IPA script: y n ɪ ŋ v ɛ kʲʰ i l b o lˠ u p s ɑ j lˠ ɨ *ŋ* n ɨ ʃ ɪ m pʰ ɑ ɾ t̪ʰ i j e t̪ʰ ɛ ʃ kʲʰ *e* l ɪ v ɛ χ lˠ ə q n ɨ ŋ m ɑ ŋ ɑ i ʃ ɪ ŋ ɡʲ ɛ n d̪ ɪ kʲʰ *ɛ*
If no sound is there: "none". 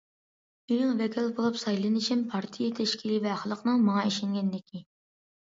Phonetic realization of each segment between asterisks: none, i, i

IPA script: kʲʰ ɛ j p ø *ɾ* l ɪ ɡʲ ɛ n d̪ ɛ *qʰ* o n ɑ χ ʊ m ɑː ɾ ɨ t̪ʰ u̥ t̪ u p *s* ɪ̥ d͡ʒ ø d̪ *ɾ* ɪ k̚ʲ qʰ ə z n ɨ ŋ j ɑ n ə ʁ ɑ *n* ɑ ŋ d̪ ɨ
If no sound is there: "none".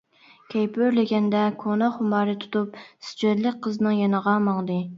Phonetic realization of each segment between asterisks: ɾ, kʰ, s, l, m

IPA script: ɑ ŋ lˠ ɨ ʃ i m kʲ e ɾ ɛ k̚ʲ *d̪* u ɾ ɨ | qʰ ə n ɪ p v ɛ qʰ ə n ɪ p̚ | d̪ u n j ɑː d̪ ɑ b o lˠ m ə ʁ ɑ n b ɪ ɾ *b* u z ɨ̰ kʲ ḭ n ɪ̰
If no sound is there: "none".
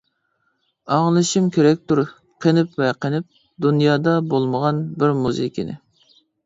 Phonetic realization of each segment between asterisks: t̪, m

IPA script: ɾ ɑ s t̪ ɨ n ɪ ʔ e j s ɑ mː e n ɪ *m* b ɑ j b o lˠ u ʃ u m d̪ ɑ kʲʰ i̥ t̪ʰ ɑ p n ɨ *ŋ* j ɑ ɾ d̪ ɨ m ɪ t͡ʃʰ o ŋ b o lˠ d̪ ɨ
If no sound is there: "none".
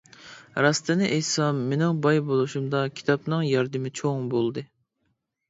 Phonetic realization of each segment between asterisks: ŋ, ŋ

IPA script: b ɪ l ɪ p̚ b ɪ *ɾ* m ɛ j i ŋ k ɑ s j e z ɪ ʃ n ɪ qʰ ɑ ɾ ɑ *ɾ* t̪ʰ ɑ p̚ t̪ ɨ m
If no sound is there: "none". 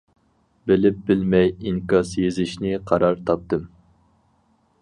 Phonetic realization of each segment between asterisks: l, ɾ

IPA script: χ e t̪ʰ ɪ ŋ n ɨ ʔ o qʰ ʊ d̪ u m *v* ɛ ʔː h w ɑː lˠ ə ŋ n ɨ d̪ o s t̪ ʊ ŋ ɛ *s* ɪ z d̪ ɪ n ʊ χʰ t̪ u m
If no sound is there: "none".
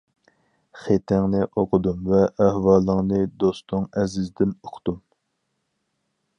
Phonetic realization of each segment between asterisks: v, z

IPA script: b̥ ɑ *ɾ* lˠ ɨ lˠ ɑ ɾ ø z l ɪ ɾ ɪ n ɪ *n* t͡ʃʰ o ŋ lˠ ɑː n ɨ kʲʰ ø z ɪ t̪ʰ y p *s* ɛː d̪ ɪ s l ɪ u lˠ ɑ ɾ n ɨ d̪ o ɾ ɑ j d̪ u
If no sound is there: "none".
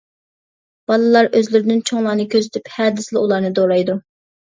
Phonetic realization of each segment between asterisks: none, n, h

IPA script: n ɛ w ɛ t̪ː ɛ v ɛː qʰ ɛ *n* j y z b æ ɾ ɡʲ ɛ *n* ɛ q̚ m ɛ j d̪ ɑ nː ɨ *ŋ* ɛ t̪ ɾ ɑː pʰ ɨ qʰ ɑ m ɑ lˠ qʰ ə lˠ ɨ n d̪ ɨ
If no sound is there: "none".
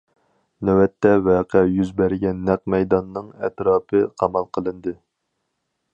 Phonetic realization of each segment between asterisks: none, nː, ŋ

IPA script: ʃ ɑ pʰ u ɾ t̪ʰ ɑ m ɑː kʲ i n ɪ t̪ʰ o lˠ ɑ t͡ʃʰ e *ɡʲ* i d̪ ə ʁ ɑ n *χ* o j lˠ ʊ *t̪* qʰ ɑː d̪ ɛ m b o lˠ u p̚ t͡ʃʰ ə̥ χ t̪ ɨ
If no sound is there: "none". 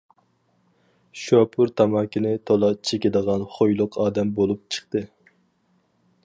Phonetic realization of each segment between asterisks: kʲ, χ, none

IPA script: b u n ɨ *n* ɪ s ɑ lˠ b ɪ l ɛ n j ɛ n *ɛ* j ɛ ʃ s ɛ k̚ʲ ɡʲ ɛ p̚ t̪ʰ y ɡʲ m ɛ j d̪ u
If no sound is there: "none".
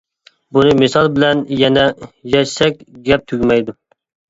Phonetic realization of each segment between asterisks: m, ɛ

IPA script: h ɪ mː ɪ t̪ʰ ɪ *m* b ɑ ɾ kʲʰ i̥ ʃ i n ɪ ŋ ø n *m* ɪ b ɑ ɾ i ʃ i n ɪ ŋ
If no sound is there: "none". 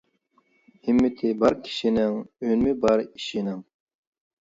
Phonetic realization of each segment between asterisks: none, m

